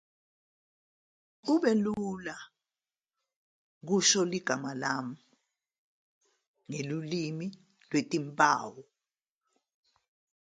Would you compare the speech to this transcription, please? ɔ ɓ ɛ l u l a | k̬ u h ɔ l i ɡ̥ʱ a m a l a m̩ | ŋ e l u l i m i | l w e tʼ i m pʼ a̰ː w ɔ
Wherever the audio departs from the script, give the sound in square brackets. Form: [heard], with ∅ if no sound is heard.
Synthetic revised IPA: [u] ɓ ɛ l u l a | k̬ u [ʃ] ɔ l i ɡ̥ʱ a m a l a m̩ | ŋ e l u l i m i | l w e tʼ i m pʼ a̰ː w ɔ